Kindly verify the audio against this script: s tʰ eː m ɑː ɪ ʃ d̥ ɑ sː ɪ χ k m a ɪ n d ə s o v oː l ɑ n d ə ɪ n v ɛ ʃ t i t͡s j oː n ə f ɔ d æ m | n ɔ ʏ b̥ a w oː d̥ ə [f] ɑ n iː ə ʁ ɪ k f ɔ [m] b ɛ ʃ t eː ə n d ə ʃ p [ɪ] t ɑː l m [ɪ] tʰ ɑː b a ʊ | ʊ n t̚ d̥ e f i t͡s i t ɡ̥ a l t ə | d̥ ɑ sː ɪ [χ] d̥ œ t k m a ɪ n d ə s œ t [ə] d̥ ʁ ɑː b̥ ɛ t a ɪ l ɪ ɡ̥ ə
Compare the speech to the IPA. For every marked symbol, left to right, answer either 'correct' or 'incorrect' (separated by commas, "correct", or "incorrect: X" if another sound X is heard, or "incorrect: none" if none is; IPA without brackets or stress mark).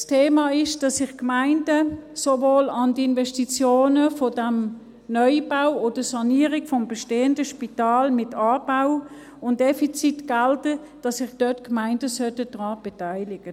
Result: incorrect: s, correct, incorrect: i, correct, correct, correct